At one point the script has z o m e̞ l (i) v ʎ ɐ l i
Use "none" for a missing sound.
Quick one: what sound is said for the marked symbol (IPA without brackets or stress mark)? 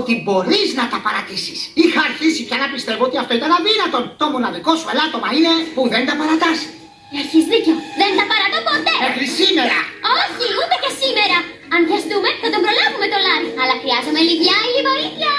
i